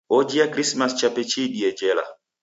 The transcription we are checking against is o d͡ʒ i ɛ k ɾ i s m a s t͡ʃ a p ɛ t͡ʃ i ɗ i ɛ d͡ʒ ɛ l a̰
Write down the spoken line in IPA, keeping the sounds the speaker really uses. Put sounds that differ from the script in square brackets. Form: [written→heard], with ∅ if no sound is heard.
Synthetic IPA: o d͡ʒ i [ɛ→a] k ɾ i s m a s t͡ʃ a p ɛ t͡ʃ i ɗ i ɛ d͡ʒ ɛ l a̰